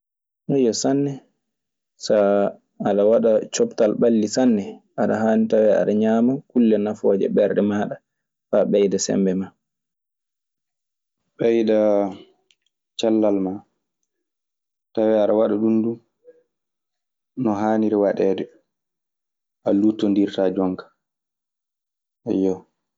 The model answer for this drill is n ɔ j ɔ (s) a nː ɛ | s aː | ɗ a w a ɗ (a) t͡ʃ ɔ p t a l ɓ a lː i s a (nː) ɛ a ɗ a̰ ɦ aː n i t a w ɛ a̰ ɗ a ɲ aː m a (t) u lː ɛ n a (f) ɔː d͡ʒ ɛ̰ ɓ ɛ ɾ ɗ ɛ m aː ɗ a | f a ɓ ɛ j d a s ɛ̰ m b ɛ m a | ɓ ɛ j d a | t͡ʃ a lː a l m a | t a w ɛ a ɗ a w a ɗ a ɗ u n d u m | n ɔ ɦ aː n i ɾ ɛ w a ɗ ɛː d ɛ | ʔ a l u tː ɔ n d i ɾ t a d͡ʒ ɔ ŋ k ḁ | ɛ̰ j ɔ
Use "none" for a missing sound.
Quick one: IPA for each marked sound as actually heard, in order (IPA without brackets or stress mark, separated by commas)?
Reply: s, a, nː, k, f